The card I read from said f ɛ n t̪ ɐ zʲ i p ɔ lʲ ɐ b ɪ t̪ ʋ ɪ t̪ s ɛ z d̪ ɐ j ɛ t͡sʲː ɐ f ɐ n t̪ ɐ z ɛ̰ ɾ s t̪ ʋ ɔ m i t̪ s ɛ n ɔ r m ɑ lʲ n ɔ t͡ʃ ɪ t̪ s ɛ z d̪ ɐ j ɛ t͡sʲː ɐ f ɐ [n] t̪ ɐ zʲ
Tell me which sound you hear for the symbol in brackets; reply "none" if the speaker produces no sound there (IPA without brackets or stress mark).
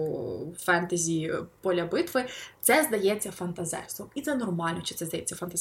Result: n